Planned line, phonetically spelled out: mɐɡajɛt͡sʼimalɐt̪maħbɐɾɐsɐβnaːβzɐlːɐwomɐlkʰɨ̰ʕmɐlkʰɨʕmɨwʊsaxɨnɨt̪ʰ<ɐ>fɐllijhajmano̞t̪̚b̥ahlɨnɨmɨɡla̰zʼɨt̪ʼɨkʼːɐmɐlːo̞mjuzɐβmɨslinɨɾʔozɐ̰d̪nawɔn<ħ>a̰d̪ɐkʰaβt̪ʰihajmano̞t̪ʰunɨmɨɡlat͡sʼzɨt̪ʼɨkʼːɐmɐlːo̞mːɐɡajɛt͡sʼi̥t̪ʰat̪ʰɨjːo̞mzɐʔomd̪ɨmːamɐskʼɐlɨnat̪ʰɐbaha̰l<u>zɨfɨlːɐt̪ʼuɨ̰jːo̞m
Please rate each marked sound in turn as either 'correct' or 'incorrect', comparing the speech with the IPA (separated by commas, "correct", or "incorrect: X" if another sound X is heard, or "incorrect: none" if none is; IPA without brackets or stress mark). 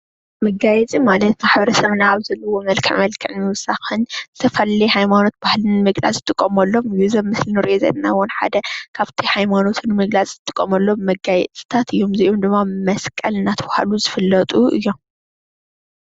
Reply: correct, correct, correct